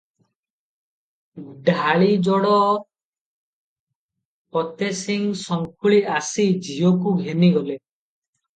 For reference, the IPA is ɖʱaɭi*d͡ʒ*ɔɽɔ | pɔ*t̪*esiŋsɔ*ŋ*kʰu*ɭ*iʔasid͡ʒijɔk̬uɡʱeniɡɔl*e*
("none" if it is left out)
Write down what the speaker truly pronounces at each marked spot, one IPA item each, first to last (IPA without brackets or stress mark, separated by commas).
d͡ʒ, t̪, ŋ, ɭ, e